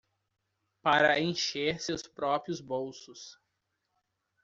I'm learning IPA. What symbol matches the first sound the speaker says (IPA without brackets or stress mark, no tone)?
p